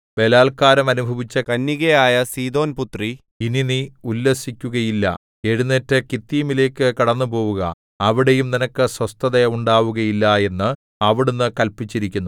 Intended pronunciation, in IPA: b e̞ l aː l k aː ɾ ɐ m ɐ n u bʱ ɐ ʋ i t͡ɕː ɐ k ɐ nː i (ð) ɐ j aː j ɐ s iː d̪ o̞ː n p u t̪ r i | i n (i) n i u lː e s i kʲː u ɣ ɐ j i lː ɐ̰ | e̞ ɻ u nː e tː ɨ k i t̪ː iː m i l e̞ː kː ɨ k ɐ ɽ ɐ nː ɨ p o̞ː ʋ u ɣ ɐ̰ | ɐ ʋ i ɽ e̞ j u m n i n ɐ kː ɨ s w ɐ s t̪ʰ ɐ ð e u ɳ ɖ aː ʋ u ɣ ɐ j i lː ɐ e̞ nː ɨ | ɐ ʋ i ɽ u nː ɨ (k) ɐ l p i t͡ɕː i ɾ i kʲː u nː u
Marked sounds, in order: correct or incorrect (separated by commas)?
incorrect, correct, correct